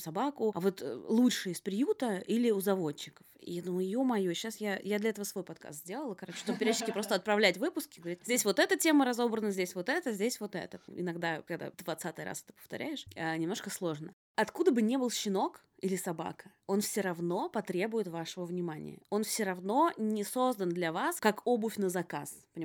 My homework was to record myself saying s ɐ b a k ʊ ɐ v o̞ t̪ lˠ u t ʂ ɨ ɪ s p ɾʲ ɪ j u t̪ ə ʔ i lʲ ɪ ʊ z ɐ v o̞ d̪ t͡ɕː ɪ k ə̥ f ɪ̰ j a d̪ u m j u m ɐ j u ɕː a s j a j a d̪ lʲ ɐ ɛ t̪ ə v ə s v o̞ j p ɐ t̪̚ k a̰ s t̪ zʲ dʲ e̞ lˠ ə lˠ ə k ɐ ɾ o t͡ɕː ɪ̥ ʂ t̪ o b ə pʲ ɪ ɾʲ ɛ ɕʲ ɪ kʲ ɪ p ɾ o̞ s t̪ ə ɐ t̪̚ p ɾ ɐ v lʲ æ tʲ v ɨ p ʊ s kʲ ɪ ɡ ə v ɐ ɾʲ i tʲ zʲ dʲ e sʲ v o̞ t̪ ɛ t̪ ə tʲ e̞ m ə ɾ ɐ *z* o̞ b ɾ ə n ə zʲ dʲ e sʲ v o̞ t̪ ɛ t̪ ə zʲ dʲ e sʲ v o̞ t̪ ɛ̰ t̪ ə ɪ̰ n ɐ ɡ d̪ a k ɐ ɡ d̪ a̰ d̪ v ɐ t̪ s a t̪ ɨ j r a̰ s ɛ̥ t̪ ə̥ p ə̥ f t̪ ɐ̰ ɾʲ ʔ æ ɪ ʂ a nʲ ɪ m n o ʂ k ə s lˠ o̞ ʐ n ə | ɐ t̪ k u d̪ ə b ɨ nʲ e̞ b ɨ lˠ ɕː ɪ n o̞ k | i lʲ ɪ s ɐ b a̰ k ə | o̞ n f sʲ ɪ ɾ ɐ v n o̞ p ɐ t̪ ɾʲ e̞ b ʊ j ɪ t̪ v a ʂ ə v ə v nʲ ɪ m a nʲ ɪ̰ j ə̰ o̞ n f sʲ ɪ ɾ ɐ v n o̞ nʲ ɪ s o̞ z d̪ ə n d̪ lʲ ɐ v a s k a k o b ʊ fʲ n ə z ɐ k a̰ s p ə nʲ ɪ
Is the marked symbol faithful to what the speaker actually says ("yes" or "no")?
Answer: yes